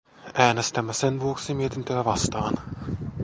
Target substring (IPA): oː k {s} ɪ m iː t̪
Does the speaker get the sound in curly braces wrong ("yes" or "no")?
no